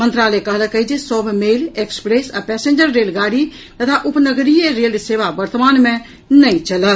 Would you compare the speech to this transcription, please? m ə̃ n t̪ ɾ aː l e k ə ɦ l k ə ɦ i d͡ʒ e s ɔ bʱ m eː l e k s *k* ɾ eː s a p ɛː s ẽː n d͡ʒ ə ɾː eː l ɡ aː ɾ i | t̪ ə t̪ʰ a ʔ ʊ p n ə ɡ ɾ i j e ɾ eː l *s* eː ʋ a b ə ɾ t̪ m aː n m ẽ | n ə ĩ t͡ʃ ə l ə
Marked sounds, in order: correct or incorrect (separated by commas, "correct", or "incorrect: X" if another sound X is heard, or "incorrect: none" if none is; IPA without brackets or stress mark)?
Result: incorrect: p, correct